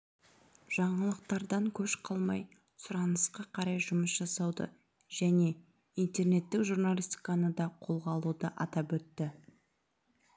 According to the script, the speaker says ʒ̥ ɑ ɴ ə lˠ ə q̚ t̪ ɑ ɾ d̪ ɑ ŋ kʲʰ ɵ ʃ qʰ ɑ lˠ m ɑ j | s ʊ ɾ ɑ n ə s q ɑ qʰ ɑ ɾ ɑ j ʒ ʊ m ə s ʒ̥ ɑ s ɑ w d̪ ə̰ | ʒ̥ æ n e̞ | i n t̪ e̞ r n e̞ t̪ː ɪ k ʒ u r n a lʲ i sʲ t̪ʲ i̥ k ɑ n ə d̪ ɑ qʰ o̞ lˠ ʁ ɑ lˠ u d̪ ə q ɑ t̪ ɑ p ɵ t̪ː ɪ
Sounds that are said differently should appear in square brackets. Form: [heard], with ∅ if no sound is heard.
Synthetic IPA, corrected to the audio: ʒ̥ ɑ ɴ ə lˠ ə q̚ t̪ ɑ ɾ d̪ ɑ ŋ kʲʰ ɵ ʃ qʰ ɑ lˠ m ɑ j | s ʊ ɾ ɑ n ə s q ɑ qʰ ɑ ɾ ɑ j ʒ ʊ m ə s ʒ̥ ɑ s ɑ w d̪ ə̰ | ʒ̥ æ n e̞ | i n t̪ e̞ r n e̞ t̪ː ɪ k ʒ u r n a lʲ i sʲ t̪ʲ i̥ k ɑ n ə d̪ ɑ qʰ o̞ lˠ ʁ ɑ lˠ u d̪ ə [ʔ] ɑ t̪ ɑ p ɵ t̪ː ɪ